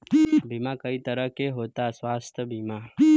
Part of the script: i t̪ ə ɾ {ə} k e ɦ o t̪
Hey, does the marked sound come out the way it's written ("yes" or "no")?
yes